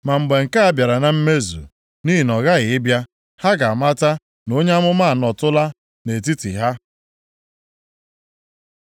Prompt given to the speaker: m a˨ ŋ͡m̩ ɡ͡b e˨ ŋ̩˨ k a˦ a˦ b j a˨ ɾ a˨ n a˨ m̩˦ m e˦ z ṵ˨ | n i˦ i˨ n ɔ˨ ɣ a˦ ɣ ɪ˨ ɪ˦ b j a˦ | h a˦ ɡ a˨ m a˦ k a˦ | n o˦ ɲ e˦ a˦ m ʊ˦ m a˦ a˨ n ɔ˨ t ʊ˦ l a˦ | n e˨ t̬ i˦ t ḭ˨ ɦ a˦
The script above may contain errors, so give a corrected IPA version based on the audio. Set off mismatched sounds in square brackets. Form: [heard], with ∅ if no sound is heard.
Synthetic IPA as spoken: m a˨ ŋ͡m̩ ɡ͡b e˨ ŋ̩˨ k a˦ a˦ b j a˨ ɾ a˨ n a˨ m̩˦ m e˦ z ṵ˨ | n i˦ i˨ n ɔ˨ ɣ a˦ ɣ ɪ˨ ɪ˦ b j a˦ | h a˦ ɡ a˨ m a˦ [t] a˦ | n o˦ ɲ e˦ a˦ m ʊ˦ m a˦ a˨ n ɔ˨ t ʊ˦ l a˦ | n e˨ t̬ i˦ t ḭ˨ ɦ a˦